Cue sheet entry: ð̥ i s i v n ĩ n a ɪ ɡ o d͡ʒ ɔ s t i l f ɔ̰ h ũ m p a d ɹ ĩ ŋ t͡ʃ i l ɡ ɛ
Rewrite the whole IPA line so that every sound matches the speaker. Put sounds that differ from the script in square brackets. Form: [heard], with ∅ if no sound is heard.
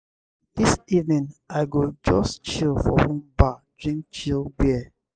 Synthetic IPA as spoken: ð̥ i s i v n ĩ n a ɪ ɡ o d͡ʒ ɔ s [t͡ʃ] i l f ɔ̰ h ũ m [b] a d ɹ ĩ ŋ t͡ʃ i l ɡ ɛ